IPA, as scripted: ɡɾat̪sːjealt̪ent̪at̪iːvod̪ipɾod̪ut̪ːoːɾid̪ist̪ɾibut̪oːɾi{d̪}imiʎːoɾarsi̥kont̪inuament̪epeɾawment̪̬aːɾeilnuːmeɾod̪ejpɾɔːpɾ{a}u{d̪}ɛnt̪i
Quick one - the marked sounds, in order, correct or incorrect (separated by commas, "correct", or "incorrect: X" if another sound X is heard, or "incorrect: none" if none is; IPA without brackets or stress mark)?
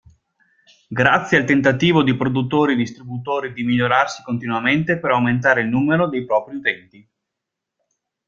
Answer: correct, incorrect: i, incorrect: t̪